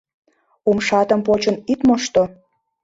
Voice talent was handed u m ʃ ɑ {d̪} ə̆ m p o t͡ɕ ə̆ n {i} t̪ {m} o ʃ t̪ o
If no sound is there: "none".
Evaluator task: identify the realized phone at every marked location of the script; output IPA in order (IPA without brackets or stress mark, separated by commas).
t̪, i, m